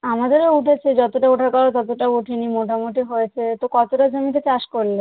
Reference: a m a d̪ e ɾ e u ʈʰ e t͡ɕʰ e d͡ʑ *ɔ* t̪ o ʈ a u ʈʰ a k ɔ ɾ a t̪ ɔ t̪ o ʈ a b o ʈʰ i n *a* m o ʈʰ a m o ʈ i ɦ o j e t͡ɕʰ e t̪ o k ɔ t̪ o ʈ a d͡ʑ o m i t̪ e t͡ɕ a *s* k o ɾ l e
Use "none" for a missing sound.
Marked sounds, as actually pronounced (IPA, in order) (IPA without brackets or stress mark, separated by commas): ɔ, i, ʃ